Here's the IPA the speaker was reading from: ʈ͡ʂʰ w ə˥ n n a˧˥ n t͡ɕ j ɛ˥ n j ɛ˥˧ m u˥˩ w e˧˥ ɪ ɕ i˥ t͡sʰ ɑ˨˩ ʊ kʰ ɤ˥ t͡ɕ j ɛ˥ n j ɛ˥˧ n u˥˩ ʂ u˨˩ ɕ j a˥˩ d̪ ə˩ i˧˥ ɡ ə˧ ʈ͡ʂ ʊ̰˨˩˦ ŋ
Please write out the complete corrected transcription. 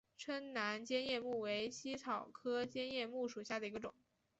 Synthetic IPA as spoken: ʈ͡ʂʰ w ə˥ n n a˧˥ n t͡ɕ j ɛ˥ n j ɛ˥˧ m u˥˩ w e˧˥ ɪ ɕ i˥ t͡sʰ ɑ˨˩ ʊ kʰ ɤ˥ t͡ɕ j ɛ˥ n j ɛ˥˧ m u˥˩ ʂ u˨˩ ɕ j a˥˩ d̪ ə˩ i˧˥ ɡ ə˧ ʈ͡ʂ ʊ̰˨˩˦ ŋ